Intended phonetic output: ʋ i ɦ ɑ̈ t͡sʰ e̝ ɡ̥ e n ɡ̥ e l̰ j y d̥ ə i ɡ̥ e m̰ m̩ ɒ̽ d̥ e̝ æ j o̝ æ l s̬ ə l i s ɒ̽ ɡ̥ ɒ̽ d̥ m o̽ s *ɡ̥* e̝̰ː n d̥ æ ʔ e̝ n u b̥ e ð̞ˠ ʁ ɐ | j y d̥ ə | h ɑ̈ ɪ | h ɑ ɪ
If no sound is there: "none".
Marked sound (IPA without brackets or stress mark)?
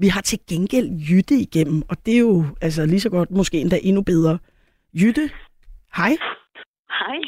ɡ̥